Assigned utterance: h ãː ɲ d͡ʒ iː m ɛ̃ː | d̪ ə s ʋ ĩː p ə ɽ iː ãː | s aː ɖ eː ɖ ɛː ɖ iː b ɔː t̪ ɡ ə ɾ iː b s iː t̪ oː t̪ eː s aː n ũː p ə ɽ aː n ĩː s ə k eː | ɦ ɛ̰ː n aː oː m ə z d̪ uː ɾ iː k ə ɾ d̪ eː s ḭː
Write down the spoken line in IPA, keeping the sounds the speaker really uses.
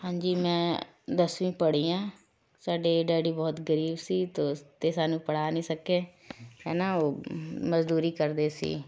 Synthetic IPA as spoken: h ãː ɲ d͡ʒ iː m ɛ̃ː | d̪ ə s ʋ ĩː p ə ɽ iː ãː | s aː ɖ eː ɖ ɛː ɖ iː b ɔː t̪ ɡ ə ɾ iː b s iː t̪ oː t̪ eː s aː n ũː p ə ɽ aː n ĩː s ə k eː | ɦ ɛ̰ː n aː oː m ə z d̪ uː ɾ iː k ə ɾ d̪ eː s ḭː